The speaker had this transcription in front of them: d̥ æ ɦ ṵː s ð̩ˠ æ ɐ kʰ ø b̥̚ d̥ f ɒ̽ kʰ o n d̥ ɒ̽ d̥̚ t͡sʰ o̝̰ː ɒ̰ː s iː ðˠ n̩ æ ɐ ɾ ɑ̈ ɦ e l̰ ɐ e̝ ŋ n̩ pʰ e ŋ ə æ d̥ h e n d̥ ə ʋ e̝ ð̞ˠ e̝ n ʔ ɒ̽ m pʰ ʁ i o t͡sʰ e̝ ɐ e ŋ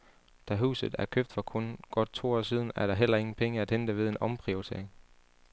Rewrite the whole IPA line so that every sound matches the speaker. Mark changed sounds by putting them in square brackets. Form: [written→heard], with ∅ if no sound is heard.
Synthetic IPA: d̥ æ ɦ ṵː s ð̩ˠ æ ɐ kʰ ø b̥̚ d̥ f ɒ̽ kʰ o n [d̥→ɡ̥] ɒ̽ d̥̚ t͡sʰ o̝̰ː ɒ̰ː s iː ðˠ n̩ æ ɐ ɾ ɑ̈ ɦ e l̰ ɐ e̝ ŋ n̩ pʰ e ŋ ə æ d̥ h e n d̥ ə ʋ e̝ ð̞ˠ e̝ n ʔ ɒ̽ m pʰ ʁ i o t͡sʰ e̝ ɐ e ŋ